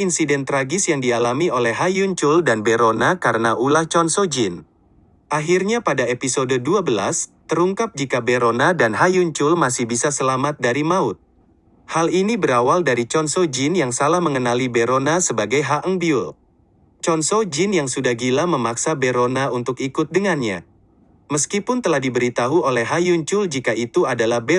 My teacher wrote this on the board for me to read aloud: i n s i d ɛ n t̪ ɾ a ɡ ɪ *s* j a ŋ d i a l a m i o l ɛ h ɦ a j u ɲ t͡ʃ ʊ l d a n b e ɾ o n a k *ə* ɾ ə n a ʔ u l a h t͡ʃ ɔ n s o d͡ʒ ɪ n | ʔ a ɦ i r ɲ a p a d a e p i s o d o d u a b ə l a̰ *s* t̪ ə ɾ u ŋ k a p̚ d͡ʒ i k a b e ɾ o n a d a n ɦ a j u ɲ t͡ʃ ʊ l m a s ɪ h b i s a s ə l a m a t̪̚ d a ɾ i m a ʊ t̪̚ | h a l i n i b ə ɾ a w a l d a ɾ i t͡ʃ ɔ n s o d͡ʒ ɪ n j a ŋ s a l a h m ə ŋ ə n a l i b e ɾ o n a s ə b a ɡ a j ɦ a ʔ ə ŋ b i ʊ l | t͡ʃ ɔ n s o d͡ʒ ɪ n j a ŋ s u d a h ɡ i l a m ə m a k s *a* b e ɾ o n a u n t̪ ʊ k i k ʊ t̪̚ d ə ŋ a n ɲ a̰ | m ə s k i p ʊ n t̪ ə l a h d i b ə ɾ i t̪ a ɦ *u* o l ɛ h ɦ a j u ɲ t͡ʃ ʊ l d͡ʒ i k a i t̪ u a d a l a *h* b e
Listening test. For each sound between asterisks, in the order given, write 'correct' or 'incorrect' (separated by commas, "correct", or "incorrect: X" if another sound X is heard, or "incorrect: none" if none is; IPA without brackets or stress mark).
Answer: correct, incorrect: a, correct, correct, correct, correct